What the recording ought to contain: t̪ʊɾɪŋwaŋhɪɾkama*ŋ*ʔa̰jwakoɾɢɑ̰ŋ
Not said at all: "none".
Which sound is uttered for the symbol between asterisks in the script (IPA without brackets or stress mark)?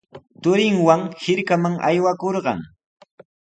ŋ